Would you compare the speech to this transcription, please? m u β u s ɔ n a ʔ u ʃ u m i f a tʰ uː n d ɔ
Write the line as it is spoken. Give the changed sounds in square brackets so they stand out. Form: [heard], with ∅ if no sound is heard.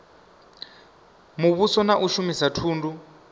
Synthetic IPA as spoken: m u β u s ɔ n a ʔ u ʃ u m i [s] a tʰ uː n d [u]